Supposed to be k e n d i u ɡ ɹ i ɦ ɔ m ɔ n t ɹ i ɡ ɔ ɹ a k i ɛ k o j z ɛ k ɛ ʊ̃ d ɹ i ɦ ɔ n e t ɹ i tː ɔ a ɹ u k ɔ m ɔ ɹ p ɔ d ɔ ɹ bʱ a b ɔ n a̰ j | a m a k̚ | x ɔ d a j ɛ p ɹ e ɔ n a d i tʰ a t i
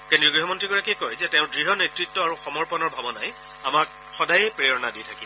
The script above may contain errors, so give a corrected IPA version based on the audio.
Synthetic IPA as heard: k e n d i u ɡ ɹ i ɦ ɔ m ɔ n t ɹ i ɡ ɔ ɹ a k i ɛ k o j z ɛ t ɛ ʊ̃ d ɹ i ɦ ɔ n e t ɹ i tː ɔ a ɹ u x ɔ m ɔ ɹ p ɔ n ɔ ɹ bʱ a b ɔ n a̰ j | a m a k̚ | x ɔ d a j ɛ p ɹ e ɔ n a d i tʰ a k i